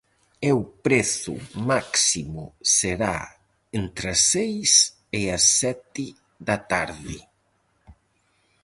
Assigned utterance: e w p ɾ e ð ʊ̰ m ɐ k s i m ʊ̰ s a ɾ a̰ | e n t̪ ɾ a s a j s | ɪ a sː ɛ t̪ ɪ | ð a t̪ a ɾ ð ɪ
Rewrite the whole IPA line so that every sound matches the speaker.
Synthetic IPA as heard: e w p ɾ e θ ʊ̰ m a k s i m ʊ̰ s e ɾ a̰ | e n t̪ ɾ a s e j s | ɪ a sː ɛ t̪ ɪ | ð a t̪ a ɾ ð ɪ